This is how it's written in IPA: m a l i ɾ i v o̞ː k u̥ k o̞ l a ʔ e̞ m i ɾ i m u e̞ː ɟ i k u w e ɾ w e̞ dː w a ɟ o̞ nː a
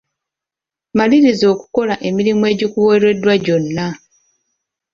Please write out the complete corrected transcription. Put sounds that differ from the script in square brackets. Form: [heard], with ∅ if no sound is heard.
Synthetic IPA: m a l i ɾ i [z] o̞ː k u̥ k o̞ l a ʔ e̞ m i ɾ i m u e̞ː ɟ i k u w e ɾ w e̞ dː w a ɟ o̞ nː a